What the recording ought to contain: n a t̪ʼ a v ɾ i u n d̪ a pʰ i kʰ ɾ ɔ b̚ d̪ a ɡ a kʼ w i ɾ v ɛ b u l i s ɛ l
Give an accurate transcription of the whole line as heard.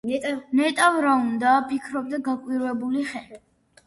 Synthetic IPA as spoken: n ɛ t̪ʼ a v ɾ a u n d̪ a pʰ i kʰ ɾ ɔ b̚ d̪ a ɡ a kʼ w i ɾ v ɛ b u l i χ ɛ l